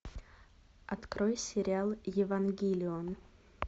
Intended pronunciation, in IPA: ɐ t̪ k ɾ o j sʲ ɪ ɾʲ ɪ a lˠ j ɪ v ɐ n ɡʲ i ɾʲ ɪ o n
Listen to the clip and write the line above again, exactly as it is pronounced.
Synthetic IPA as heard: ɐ t̪ k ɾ o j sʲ ɪ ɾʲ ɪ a lˠ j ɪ v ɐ n ɡʲ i lʲ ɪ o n

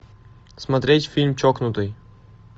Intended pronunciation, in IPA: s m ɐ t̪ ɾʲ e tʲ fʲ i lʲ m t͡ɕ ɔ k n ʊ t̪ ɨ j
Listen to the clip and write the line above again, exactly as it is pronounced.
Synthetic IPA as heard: s m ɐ t̪ ɾʲ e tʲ fʲ i lʲ m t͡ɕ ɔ k n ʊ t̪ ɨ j

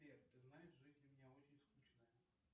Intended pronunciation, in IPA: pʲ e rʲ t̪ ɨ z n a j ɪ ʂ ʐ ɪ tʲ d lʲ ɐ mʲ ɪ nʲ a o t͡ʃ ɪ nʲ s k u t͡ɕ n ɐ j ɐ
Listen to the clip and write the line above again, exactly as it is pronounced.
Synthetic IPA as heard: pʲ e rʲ t̪ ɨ z n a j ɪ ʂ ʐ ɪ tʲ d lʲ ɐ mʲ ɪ nʲ a o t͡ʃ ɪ nʲ s k u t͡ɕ n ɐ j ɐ

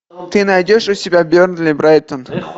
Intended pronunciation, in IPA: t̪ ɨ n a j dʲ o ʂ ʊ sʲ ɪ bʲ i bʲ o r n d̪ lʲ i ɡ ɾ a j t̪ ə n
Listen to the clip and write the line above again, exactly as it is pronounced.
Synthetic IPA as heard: t̪ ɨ n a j dʲ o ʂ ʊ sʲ ɪ bʲ a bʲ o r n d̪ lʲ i b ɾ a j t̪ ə n

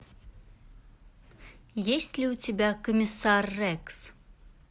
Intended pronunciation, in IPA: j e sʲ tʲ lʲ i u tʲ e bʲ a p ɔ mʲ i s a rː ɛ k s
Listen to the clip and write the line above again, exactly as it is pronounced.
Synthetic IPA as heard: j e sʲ tʲ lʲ i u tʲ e bʲ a k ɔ mʲ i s a rː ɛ k s

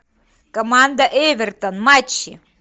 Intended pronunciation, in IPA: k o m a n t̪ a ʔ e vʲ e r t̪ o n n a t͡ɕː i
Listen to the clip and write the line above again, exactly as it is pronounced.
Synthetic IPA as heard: k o m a n d̪ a ʔ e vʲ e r t̪ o n m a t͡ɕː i

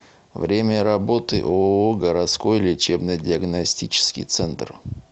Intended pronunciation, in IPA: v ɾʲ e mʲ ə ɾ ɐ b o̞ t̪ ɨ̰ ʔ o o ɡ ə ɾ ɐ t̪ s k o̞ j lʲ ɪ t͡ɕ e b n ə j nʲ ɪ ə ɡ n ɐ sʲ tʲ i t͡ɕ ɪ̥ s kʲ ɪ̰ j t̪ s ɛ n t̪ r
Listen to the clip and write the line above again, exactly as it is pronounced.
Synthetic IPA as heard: v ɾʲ e mʲ ə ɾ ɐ b o̞ t̪ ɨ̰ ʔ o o ɡ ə ɾ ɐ t̪ s k o̞ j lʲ ɪ t͡ɕ e b n ə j dʲ ɪ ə ɡ n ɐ sʲ tʲ i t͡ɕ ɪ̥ s kʲ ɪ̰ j t̪ s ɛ n t̪ r

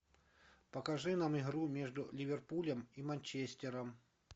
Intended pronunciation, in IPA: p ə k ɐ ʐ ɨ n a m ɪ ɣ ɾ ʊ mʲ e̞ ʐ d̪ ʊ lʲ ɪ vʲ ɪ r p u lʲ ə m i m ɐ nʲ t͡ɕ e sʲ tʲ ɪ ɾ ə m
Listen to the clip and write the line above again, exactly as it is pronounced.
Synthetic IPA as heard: p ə k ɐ ʐ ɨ n a m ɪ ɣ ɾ u mʲ e̞ ʐ d̪ ʊ lʲ ɪ vʲ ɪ r p u lʲ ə m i m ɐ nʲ t͡ɕ e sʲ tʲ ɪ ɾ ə m

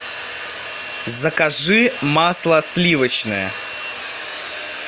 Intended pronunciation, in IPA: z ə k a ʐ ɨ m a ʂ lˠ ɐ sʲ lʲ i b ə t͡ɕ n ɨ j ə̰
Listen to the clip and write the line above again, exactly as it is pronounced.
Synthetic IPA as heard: z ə k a ʐ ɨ m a s lˠ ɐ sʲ lʲ i v ə t͡ɕ n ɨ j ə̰

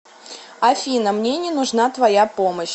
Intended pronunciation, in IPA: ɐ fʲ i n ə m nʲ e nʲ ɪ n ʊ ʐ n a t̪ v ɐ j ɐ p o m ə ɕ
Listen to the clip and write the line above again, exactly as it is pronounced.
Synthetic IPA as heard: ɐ fʲ i n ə m nʲ e nʲ ɪ n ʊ ʐ n a t̪ v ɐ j a p o m ə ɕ

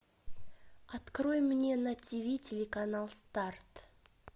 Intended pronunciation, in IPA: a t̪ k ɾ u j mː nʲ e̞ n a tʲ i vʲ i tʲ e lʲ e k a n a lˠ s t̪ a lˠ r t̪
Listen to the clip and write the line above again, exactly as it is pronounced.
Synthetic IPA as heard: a t̪ k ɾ o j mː nʲ e̞ n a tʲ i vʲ i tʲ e lʲ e k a n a lˠ s t̪ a r t̪

